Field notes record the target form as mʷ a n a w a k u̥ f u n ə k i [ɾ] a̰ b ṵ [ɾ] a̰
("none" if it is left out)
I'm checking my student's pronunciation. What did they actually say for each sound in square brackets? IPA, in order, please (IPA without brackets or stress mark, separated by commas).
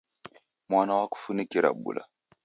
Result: ɾ, l